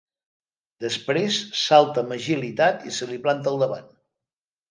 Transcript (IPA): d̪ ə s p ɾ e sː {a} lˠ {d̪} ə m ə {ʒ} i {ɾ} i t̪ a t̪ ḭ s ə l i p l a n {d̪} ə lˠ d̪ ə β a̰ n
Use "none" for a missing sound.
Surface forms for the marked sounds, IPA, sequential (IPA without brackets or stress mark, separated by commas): a, t̪, ʒ, l, t̪